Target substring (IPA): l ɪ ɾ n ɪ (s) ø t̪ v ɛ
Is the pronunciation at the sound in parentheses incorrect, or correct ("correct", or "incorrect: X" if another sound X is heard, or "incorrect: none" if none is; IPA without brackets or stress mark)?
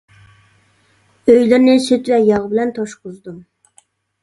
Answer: correct